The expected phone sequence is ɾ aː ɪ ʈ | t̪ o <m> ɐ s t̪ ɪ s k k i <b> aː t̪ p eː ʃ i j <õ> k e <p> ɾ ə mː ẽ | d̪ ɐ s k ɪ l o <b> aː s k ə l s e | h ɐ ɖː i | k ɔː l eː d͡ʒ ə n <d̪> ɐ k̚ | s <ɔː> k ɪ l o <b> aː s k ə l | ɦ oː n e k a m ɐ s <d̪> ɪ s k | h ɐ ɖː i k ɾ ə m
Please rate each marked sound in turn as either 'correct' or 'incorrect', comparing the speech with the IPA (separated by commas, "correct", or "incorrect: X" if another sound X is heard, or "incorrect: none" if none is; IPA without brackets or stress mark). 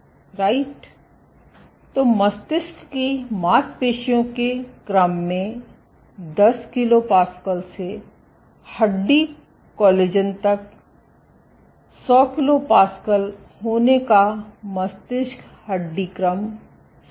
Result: correct, incorrect: m, correct, incorrect: k, incorrect: p, incorrect: t̪, correct, incorrect: p, incorrect: t̪